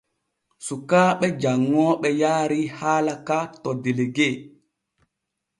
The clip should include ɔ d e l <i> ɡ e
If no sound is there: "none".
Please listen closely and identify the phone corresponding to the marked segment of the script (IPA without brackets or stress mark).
e